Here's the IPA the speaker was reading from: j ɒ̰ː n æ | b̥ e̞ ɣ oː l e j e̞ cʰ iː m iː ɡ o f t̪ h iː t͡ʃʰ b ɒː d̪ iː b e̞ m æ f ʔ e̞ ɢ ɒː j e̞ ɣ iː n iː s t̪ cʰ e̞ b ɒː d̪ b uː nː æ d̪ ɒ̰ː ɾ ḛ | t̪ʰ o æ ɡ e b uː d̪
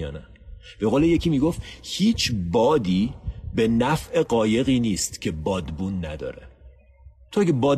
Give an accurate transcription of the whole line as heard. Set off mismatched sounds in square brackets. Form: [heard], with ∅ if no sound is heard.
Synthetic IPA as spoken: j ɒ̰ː n æ | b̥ e̞ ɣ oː l e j e̞ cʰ iː m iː ɡ o f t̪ h iː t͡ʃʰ b ɒː d̪ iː b e̞ [n] æ f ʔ e̞ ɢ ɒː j e̞ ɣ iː n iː s t̪ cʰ e̞ b ɒː d̪ b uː nː æ d̪ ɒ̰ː ɾ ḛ | t̪ʰ o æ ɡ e b [ɒː] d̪